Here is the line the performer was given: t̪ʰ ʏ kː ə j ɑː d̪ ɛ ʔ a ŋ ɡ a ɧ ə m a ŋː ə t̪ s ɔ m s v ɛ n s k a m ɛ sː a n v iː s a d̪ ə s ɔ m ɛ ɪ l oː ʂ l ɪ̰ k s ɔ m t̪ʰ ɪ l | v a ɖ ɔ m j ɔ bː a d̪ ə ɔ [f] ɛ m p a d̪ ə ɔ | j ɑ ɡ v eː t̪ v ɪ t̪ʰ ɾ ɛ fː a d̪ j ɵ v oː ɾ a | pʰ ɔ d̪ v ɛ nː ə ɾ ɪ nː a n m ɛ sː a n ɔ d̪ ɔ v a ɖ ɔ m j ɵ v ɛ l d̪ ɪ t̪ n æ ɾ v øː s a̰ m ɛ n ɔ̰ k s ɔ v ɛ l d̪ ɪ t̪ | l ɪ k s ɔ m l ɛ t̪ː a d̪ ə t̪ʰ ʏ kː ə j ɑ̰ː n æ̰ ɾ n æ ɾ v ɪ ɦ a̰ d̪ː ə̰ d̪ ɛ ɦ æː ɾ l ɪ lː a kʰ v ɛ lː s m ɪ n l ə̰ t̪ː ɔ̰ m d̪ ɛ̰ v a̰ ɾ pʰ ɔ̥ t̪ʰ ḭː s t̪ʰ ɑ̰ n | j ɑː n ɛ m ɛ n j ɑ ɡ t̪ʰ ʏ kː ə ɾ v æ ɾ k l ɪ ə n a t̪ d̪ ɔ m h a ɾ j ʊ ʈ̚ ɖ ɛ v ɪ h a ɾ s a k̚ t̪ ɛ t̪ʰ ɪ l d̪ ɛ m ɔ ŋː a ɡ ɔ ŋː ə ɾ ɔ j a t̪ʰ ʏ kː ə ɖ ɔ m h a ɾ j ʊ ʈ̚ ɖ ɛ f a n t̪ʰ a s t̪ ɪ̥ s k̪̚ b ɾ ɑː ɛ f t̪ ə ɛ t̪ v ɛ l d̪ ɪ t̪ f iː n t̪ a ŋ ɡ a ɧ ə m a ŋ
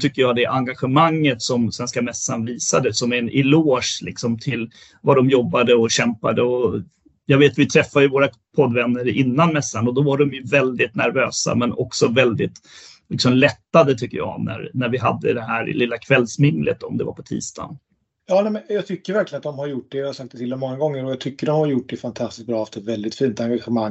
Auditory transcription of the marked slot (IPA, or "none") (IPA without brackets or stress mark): ɕ